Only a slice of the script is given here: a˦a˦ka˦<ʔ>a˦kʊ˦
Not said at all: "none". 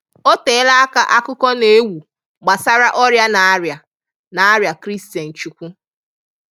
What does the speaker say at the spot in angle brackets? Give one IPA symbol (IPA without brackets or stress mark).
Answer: ʔ